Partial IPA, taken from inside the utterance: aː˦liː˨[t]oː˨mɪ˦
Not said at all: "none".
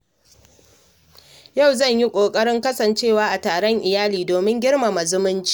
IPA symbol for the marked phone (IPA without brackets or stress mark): d